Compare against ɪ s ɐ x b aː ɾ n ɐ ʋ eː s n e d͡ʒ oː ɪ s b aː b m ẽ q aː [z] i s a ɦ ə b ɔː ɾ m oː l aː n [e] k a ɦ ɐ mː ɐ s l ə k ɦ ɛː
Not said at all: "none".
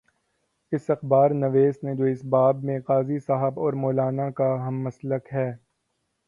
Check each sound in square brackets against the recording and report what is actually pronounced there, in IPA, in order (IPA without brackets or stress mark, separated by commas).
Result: z, a